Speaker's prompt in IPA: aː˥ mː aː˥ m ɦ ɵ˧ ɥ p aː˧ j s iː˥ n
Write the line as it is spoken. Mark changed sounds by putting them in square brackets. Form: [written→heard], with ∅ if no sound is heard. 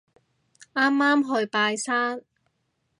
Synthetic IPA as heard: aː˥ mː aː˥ m ɦ ɵ˧ ɥ p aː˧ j s [iː˥→aː˥] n